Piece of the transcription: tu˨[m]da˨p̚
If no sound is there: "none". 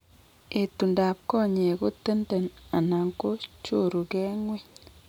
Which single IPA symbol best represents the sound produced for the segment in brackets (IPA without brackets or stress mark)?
n